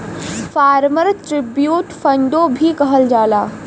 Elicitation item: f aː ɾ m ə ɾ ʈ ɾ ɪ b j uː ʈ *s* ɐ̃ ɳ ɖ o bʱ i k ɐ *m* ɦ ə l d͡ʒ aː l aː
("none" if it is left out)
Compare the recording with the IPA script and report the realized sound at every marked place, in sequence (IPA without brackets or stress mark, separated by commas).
f, none